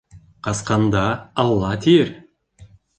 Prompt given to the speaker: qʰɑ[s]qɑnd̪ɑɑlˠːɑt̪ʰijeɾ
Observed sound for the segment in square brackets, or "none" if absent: s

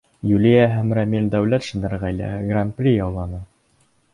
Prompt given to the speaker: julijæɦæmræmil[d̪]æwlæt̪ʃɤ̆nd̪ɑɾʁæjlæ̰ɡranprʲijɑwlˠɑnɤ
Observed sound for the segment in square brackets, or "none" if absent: d̪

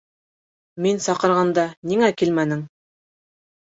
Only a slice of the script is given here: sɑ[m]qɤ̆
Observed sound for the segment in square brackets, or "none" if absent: none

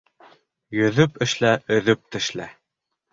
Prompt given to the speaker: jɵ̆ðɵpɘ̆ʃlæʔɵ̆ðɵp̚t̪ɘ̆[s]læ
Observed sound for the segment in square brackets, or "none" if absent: ʃ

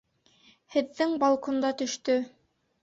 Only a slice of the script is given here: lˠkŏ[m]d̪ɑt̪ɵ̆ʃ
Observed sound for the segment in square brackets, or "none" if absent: n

